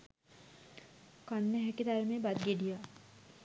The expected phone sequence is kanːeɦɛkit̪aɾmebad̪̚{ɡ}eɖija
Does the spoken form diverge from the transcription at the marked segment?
no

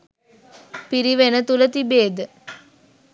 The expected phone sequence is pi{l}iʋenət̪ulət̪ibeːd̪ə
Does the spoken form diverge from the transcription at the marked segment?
yes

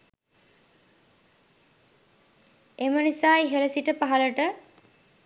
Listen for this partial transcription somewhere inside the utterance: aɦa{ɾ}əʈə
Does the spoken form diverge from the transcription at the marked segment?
yes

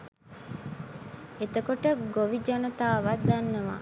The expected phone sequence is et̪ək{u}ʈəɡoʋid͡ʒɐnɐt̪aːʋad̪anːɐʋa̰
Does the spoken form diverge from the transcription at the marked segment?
yes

